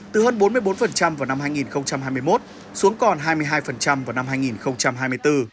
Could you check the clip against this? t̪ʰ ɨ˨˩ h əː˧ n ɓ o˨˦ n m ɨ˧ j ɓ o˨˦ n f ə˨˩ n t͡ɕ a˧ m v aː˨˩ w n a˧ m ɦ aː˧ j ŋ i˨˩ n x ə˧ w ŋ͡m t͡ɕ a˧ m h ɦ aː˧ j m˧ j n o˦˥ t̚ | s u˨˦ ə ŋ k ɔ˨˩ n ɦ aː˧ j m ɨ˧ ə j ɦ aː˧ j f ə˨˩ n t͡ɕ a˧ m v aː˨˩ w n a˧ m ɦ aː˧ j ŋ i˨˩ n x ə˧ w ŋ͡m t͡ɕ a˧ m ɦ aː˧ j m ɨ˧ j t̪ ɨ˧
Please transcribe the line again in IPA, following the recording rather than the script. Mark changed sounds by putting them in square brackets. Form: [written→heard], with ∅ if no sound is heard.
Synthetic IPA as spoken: [t̪ʰ→t̪] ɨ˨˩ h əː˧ n ɓ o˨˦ n m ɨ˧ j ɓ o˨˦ n f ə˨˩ n t͡ɕ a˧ m v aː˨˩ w n a˧ m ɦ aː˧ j ŋ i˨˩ n x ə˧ w ŋ͡m t͡ɕ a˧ m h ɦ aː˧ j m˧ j [n→m] o˦˥ t̚ | s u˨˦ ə ŋ k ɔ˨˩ n ɦ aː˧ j m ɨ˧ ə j ɦ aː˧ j f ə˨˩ n t͡ɕ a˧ m v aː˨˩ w n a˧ m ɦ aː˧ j ŋ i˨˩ n x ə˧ w ŋ͡m t͡ɕ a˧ m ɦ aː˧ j m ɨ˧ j t̪ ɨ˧